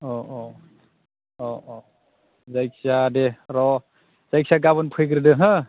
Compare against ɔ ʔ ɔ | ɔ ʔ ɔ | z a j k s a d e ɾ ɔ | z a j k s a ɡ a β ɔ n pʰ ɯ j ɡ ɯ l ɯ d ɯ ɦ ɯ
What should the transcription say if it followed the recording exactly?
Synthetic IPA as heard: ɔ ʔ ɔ | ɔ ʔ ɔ | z a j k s a d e ɾ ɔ | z a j k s a ɡ a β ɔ n pʰ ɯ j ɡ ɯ ɾ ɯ d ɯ ɦ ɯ